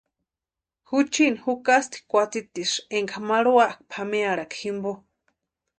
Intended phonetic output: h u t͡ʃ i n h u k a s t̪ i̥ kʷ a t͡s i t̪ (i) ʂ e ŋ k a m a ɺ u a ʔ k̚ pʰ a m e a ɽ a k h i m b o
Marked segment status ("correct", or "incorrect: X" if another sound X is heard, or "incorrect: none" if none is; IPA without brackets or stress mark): correct